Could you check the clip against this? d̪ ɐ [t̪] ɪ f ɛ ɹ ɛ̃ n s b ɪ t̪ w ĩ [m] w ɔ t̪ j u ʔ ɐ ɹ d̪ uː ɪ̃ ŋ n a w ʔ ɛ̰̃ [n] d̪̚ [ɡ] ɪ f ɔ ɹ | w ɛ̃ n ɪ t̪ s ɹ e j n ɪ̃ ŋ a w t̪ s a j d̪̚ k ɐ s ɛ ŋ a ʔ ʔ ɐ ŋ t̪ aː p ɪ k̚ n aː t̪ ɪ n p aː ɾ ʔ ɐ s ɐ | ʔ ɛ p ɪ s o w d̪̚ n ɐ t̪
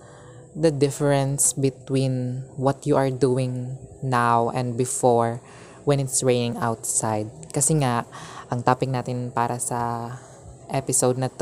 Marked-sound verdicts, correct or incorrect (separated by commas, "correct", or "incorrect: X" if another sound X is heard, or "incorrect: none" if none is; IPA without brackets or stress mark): incorrect: d̪, incorrect: n, correct, incorrect: b